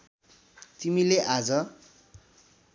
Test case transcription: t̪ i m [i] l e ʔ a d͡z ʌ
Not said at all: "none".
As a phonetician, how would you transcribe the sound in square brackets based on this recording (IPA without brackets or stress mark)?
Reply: i